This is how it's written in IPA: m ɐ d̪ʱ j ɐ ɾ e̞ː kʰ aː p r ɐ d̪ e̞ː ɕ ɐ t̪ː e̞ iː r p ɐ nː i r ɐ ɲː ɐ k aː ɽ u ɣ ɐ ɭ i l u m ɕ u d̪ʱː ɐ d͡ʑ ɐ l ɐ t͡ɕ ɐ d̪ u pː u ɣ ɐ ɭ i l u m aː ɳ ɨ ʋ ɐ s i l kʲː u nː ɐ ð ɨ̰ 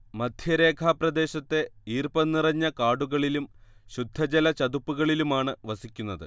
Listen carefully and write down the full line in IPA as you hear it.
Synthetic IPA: m ɐ d̪ʱ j ɐ ɾ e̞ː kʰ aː p r ɐ d̪ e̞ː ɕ ɐ t̪ː e̞ iː r p ɐ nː i r ɐ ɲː ɐ k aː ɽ u ɣ ɐ ɭ i l u m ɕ u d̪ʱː ɐ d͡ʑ ɐ l ɐ t͡ɕ ɐ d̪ u pː u ɣ ɐ ɭ i l u m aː ɳ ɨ ʋ ɐ s i kʲː u nː ɐ ð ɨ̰